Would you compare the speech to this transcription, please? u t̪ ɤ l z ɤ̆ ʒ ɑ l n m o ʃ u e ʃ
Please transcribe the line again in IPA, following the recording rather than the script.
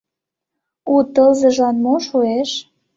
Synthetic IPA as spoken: u t̪ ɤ l z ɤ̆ ʒ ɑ n m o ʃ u e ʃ

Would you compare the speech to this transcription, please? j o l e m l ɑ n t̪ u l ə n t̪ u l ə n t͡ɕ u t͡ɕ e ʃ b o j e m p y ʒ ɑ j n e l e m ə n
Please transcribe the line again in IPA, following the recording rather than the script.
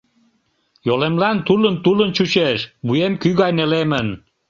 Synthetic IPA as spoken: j o l e m l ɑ n t̪ u l ə n t̪ u l ə n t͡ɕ u t͡ɕ e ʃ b u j e m k y ɣ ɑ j n e l e m ə n

